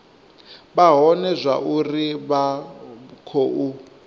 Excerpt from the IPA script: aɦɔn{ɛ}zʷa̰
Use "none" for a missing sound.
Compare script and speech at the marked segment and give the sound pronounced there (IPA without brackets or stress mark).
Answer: ɛ